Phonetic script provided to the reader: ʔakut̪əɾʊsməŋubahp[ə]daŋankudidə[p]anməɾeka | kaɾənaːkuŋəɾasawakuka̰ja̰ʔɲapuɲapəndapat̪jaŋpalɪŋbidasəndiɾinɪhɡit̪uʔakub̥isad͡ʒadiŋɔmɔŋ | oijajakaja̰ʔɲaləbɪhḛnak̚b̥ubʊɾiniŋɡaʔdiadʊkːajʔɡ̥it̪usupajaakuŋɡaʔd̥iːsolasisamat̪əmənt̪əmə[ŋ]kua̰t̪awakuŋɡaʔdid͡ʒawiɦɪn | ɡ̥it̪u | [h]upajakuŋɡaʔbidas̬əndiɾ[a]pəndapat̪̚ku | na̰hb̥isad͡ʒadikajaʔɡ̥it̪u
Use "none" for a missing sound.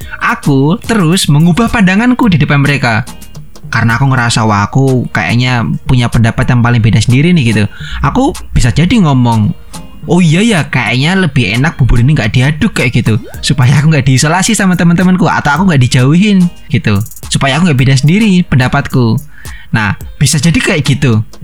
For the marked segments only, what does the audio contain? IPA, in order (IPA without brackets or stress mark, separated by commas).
a, p, n, s, i